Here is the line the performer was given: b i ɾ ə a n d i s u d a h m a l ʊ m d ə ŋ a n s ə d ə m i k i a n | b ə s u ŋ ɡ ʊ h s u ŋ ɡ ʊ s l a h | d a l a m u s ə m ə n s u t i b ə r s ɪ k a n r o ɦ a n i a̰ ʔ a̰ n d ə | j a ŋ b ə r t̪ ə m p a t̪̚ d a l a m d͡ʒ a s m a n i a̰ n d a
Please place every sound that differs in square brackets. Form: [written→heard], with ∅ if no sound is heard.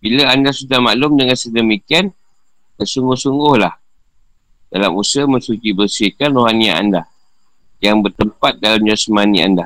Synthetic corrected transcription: b i [ɾ→l] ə a n d [i→a] s u d a h m a l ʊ m d ə ŋ a n s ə d ə m i k i a n | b ə s u ŋ ɡ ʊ h s u ŋ ɡ ʊ [s→h] l a h | d a l a m u s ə m ə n s u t i b ə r s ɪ k a n r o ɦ a n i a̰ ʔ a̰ n d [ə→a] | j a ŋ b ə r t̪ ə m p a t̪̚ d a l a m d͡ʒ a s m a n i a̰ n d a